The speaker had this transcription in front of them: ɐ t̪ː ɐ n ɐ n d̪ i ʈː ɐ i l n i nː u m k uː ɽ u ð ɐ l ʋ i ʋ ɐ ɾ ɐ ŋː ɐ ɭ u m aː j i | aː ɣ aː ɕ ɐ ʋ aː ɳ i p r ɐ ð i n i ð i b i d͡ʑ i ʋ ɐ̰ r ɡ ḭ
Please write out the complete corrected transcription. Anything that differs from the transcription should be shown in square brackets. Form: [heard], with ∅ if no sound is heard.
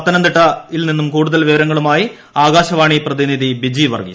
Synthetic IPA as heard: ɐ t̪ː ɐ n ɐ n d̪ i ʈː ɐ i l n i nː u m k uː ɽ u ð ɐ l ʋ i ʋ ɐ ɾ ɐ ŋː ɐ ɭ u m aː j i | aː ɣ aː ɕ ɐ ʋ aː ɳ i p r ɐ ð i n i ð i b i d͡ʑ i ʋ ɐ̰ r ɡ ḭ